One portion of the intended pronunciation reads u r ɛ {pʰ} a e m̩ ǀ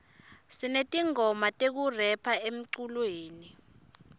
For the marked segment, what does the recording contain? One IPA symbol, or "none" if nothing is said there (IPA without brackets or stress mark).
pʰ